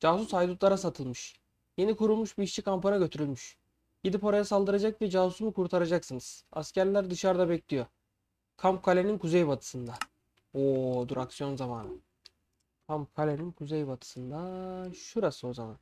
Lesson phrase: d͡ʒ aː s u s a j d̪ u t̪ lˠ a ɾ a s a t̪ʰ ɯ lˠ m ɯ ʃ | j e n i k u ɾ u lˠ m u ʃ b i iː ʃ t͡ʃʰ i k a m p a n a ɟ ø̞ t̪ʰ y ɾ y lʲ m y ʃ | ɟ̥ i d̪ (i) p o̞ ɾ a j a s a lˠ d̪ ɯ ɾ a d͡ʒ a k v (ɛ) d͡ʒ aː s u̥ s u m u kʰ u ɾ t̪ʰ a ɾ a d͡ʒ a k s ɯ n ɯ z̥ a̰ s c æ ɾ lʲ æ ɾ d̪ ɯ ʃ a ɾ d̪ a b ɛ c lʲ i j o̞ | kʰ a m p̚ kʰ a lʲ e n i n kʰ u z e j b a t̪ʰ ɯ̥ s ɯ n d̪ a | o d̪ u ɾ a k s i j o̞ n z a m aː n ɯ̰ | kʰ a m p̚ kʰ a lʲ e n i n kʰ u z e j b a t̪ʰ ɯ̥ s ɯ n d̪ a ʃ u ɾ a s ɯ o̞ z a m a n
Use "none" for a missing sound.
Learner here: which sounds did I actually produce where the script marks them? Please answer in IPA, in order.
i, ɛ

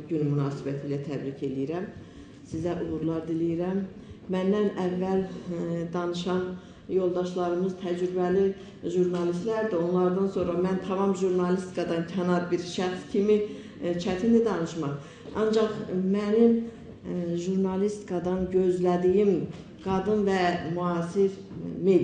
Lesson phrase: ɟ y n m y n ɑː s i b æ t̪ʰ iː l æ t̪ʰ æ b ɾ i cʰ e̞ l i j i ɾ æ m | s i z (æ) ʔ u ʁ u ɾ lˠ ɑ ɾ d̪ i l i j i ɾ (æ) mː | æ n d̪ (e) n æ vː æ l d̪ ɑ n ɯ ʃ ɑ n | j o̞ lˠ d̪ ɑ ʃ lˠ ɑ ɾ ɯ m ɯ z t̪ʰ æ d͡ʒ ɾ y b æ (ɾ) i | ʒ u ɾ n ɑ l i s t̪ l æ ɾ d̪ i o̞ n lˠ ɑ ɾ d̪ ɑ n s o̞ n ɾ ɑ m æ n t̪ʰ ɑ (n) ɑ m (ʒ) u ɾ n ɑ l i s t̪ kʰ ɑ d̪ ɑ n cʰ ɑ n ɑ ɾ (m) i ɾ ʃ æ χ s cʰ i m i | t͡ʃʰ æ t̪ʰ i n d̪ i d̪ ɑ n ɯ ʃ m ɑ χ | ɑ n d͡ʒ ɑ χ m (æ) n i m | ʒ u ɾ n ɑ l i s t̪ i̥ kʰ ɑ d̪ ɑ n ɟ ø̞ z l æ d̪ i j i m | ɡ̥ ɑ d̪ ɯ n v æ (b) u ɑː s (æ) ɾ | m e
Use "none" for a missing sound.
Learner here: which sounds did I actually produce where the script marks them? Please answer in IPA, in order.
æ, æ, æ, l, m, ʒ, b, æ, m, i

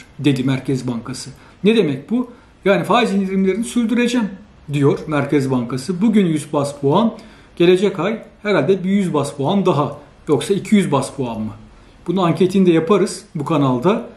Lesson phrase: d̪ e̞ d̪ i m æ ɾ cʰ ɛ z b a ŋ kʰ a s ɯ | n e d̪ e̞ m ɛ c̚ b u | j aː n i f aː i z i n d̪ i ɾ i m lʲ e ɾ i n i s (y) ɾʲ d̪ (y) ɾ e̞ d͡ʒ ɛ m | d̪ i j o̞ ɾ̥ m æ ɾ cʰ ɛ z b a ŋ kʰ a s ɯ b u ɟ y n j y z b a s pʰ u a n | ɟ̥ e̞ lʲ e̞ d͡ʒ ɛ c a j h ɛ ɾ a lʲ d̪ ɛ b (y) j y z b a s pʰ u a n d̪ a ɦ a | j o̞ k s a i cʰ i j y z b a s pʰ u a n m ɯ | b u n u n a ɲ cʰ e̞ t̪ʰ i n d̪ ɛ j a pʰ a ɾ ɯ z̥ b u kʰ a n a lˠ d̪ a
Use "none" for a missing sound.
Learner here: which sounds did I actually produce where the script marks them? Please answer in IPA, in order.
y, y, i

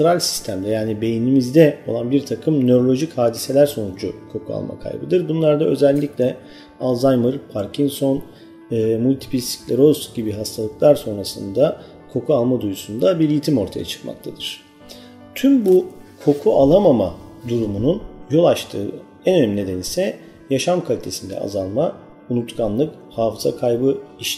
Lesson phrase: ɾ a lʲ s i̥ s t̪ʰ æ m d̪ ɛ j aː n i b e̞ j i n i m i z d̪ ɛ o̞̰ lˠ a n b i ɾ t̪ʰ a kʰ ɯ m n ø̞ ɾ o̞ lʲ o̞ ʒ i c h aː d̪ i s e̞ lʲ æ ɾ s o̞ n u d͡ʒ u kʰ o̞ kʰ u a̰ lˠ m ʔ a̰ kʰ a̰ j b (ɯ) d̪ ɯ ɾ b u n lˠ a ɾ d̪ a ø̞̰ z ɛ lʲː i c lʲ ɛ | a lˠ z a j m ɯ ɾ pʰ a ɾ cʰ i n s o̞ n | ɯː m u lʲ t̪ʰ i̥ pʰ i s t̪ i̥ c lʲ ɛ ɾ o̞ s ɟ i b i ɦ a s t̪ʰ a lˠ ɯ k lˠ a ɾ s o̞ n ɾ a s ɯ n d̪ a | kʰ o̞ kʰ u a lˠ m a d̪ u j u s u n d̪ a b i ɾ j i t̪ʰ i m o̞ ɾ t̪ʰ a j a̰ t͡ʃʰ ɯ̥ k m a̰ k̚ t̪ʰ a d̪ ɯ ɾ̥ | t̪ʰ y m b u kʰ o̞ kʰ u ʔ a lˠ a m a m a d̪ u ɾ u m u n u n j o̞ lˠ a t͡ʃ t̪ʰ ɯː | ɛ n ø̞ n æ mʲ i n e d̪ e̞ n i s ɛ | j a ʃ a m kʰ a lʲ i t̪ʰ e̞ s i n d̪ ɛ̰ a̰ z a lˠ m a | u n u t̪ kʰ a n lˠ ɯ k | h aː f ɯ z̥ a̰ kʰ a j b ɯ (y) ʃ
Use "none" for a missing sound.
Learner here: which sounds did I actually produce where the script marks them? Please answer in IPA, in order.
ɯ, i

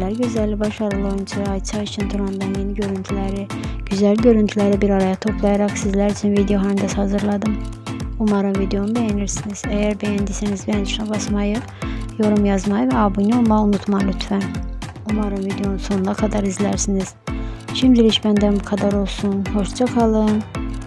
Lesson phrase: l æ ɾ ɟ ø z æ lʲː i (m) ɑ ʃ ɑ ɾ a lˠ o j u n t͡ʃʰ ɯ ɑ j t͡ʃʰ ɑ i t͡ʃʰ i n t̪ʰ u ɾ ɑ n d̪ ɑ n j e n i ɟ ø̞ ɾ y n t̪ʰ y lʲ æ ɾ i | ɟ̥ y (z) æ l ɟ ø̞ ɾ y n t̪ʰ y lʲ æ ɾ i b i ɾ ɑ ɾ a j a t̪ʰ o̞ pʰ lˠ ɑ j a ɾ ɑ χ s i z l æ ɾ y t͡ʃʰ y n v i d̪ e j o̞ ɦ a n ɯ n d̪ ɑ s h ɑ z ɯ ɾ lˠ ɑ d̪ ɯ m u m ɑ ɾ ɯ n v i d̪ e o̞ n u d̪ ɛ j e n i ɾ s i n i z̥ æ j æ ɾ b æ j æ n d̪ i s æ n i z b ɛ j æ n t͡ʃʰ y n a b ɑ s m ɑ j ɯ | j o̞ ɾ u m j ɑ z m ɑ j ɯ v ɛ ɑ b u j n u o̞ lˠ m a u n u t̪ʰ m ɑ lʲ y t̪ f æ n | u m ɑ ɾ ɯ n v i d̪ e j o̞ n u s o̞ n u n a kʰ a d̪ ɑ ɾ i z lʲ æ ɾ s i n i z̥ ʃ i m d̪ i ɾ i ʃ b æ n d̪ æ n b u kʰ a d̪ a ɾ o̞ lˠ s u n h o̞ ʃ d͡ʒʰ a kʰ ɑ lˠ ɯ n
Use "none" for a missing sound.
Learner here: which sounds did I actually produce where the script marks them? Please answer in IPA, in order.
b, z

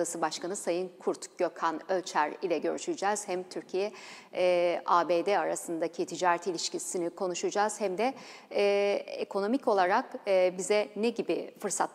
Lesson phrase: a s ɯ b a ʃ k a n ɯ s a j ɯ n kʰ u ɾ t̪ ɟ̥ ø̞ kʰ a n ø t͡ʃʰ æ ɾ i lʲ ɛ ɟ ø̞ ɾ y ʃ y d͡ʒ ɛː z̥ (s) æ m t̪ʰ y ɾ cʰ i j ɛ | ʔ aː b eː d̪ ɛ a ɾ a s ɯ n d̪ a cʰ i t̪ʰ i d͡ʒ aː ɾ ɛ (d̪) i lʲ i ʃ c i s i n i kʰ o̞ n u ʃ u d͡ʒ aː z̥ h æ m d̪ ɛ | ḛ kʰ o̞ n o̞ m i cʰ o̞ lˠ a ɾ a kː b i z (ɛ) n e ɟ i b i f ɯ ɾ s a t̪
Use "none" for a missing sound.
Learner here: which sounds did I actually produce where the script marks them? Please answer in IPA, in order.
h, t̪, ɛ

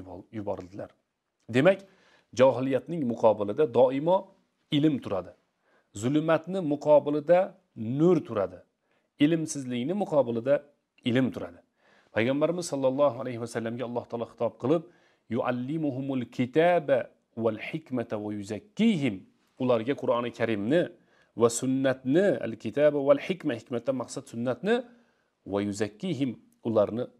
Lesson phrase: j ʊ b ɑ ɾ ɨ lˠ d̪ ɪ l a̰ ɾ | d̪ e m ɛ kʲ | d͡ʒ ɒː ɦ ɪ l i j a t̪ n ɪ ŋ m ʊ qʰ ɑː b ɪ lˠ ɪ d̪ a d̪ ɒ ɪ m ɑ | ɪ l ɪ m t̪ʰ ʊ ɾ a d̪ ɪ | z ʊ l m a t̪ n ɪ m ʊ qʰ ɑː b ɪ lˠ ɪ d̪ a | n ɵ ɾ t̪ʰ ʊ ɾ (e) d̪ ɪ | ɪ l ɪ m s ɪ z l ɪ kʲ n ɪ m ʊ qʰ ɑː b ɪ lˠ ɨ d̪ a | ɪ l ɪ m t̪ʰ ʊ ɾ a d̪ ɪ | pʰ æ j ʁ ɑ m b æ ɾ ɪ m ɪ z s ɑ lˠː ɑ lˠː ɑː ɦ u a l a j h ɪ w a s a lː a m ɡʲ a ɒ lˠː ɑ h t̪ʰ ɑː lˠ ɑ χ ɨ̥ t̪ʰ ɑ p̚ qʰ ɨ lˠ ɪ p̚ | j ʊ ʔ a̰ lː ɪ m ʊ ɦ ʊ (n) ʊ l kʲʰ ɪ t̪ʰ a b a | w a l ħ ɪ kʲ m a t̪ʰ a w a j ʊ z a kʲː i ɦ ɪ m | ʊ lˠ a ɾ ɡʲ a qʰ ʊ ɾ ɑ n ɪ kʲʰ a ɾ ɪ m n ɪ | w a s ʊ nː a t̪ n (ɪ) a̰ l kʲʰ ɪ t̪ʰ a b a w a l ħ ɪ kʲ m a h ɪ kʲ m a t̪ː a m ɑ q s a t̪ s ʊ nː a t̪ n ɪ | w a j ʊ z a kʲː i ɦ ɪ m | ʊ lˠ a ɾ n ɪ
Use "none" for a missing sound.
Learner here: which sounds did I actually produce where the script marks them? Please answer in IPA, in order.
a, m, ɪ

